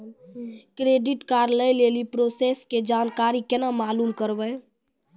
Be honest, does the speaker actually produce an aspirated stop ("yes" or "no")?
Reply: no